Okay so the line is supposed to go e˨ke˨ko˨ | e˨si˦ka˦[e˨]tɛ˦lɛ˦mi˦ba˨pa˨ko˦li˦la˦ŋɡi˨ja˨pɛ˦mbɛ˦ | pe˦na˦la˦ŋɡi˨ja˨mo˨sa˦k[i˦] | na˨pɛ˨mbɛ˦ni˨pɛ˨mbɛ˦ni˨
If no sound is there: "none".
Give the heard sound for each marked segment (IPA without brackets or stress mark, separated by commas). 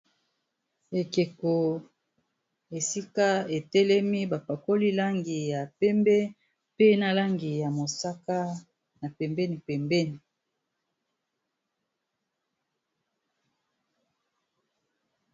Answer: e˨, a˦